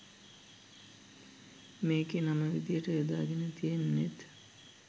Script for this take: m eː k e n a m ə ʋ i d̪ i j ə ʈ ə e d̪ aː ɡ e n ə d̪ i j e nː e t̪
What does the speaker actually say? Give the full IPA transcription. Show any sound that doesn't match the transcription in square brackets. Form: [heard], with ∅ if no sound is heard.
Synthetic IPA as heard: m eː k e n a m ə ʋ i d̪ i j ə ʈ ə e d̪ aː ɡ e n ə [t̪] i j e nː e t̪

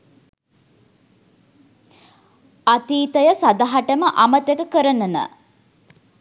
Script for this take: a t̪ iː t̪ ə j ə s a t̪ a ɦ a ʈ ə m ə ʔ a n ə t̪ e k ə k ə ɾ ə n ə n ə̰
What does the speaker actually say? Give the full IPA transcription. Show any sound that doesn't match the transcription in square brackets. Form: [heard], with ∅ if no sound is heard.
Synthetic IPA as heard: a t̪ iː t̪ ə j ə s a [d̪] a ɦ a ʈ ə m ə ʔ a [m] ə t̪ e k ə k ə ɾ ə n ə n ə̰

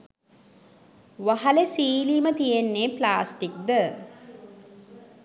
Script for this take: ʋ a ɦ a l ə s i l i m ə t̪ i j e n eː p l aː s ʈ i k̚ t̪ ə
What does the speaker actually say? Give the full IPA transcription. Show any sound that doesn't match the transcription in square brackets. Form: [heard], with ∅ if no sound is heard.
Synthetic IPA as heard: ʋ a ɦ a l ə s [iː] l i m ə t̪ i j e [nː] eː p l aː s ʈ i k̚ [d̪] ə

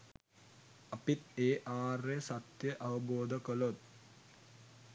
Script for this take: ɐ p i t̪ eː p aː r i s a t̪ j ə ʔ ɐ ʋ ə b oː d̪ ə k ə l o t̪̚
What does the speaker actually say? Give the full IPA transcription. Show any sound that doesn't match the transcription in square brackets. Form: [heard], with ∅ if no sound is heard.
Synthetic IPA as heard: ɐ p i t̪ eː [ʔ] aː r [e] s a t̪ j ə ʔ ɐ ʋ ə b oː d̪ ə k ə l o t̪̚

